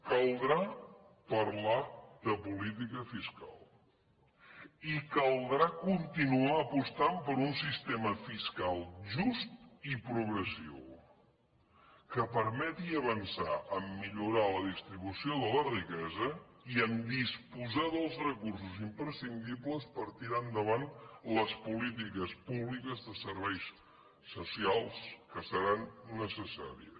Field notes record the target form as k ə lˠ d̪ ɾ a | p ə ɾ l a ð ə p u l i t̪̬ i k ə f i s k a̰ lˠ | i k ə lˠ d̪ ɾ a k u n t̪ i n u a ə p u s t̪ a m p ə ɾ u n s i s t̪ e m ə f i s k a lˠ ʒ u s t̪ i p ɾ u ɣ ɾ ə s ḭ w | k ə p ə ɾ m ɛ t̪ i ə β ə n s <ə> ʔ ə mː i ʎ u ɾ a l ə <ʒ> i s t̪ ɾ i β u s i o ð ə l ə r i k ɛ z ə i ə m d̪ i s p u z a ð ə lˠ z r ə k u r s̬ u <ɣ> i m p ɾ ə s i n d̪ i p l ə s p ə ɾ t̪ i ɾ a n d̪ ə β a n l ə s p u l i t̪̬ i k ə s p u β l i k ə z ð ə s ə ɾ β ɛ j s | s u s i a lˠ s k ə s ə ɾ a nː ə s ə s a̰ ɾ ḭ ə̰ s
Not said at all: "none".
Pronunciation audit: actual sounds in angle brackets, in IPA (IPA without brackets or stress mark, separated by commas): a, ð, z